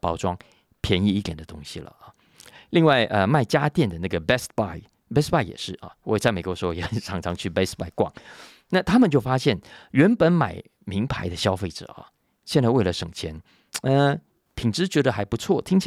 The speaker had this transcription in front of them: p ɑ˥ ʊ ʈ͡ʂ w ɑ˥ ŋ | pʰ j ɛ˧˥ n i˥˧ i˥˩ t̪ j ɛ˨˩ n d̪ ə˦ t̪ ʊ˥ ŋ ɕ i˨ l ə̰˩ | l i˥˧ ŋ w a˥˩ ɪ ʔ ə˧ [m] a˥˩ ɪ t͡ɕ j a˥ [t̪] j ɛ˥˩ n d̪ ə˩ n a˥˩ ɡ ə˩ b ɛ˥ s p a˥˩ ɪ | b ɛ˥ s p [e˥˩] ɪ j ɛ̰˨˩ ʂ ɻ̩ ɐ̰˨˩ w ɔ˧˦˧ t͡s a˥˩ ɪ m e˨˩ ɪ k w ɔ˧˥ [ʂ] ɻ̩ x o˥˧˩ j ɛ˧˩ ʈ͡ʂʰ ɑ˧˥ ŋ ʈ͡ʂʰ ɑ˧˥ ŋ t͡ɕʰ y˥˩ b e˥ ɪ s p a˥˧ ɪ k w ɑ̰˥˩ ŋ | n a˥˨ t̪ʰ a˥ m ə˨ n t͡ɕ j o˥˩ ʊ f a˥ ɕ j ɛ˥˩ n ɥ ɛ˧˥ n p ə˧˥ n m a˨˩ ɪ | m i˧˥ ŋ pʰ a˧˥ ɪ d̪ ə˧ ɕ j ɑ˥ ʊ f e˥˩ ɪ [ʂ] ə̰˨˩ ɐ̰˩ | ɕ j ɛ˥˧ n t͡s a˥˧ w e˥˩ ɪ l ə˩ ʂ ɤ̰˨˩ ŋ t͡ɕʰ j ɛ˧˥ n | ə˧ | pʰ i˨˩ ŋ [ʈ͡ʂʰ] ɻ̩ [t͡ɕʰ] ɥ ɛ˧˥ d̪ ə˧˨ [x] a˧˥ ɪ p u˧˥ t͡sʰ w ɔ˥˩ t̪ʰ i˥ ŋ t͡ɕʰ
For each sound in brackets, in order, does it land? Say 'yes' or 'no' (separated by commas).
yes, yes, no, yes, no, no, no, yes